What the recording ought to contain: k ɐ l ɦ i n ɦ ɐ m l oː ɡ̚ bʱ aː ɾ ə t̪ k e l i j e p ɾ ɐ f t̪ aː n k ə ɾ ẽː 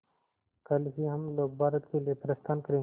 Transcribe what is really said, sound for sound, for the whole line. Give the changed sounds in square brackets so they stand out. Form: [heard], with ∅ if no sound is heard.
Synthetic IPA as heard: k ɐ l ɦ i [∅] ɦ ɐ m l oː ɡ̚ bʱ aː ɾ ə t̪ k e l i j e p ɾ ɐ [s] t̪ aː n k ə ɾ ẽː